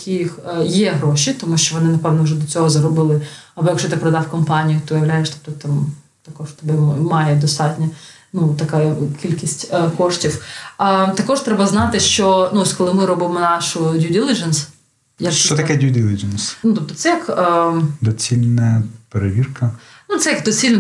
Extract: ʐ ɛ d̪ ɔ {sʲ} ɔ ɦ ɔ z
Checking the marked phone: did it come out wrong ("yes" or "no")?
yes